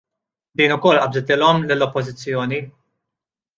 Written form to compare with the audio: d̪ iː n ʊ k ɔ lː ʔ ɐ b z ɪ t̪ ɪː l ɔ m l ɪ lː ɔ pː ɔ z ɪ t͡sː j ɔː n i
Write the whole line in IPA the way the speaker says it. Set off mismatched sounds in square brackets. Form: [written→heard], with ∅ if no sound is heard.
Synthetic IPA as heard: d̪ iː n ʊ k ɔ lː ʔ ɐ b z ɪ t̪ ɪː l ɔ m l ɪ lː ɔ pː ɔ z ɪ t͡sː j ɔː n i